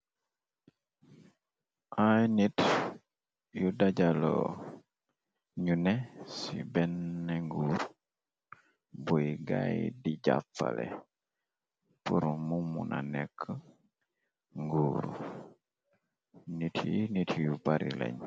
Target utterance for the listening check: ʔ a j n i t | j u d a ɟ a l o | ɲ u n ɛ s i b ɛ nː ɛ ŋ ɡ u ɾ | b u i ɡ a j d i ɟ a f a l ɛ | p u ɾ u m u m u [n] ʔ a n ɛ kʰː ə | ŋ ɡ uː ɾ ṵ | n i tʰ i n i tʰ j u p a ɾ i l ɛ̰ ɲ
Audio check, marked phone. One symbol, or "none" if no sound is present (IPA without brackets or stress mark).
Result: n